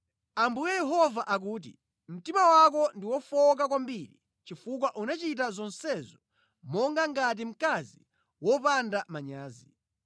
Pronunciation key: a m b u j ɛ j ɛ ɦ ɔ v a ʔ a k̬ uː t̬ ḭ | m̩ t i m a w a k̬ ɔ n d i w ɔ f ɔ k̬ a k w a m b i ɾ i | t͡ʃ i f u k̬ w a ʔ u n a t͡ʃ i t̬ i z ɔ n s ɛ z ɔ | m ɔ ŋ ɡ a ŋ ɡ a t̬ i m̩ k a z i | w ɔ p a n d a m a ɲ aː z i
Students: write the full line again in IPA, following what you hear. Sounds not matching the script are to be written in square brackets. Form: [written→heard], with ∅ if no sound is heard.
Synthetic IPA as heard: a m b u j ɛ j ɛ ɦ ɔ v a ʔ a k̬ uː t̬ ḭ | m̩ t i m a w a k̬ ɔ n d i w ɔ f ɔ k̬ a k w a m b i ɾ i | t͡ʃ i f u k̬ w a ʔ u n a t͡ʃ i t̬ [i→a] z ɔ n s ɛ z ɔ | m ɔ ŋ ɡ a ŋ ɡ a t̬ i m̩ k a z i | w ɔ p a n d a m a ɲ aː z i